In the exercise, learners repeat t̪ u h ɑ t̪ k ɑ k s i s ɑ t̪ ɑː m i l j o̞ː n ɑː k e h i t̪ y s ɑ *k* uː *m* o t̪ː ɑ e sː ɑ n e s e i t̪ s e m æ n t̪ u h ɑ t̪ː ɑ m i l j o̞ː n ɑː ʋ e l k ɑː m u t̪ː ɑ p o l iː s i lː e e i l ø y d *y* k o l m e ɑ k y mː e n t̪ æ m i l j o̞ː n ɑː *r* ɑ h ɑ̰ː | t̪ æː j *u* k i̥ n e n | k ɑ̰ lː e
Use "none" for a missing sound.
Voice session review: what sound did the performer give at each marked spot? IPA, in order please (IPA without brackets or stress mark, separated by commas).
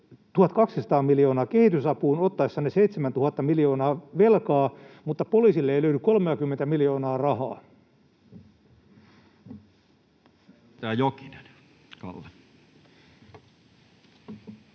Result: p, n, y, r, o